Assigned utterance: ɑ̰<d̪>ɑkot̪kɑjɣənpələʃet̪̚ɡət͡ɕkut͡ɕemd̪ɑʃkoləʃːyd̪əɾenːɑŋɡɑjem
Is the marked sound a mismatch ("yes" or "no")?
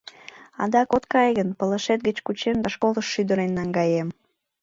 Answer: no